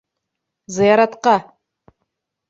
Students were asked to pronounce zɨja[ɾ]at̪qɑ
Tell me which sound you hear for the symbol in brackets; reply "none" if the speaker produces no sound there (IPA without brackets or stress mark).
ɾ